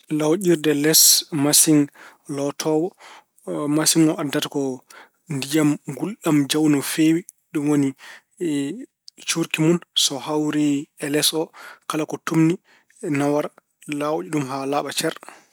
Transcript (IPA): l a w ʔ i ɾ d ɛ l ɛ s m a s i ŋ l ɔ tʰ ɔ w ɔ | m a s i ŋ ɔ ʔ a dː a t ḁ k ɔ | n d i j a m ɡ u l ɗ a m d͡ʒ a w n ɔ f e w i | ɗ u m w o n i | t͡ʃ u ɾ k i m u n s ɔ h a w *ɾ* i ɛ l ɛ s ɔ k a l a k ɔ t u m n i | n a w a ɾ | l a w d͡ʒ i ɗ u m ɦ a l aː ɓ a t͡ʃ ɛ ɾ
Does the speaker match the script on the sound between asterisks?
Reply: yes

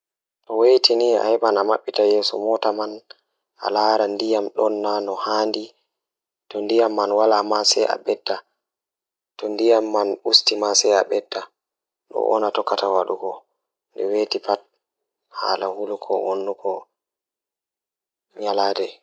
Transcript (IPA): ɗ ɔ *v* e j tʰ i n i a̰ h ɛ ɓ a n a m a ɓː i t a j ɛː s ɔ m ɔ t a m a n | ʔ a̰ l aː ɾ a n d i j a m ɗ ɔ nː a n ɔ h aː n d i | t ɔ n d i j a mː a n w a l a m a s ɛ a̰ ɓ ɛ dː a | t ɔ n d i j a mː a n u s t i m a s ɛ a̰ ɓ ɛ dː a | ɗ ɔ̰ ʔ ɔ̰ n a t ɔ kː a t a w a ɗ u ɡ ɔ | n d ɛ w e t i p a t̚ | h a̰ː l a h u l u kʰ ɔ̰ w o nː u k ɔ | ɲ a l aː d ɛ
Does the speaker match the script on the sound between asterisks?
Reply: no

